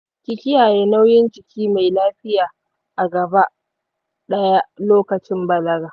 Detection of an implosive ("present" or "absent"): present